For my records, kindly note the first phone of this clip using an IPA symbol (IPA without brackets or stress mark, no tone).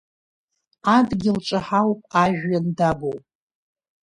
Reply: a